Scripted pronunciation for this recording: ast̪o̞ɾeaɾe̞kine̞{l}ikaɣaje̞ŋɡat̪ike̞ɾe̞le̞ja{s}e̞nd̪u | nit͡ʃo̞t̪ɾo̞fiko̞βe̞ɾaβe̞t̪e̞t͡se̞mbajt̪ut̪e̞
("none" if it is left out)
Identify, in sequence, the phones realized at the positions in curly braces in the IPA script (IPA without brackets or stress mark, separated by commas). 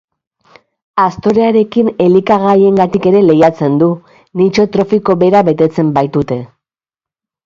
l, t͡s